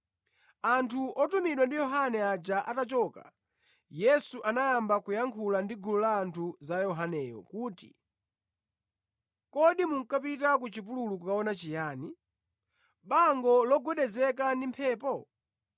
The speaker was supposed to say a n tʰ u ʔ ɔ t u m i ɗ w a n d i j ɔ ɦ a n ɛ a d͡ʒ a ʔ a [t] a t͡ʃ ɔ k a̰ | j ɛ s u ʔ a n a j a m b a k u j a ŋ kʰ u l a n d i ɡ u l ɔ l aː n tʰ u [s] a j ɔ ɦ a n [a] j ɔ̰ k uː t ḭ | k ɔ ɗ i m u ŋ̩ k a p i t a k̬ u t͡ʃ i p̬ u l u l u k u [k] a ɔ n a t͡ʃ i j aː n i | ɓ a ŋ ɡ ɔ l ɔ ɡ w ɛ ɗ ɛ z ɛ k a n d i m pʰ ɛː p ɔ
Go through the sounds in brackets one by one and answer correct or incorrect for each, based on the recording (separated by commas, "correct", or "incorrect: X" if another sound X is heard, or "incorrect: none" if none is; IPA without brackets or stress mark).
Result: correct, incorrect: z, incorrect: ɛ, correct